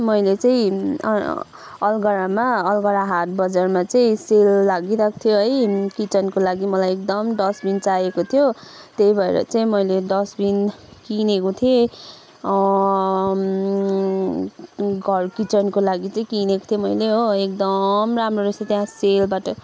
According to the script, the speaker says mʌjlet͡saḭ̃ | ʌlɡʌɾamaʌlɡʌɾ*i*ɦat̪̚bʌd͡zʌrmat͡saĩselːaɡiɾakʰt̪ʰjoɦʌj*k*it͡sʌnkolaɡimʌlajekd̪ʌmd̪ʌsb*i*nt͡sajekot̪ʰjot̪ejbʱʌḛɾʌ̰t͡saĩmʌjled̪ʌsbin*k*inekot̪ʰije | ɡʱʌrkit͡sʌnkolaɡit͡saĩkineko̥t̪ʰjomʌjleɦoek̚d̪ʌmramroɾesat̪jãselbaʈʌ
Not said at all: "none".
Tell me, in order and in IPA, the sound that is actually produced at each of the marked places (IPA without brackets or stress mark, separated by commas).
a, k, i, k